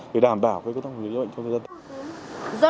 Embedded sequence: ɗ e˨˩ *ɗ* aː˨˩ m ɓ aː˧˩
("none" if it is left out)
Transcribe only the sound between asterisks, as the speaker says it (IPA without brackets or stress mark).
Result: ɗ